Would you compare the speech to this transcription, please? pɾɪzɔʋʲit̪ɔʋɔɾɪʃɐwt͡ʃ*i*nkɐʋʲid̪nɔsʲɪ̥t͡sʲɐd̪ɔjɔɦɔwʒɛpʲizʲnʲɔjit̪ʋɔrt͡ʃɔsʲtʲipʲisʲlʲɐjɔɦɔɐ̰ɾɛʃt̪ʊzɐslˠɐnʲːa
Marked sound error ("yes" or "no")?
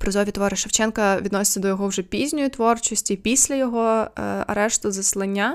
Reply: yes